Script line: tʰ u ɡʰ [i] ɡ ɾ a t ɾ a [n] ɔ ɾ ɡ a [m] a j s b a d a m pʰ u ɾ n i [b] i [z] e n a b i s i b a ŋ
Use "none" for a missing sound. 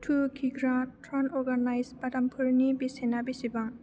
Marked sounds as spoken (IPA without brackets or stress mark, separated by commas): i, n, n, b, s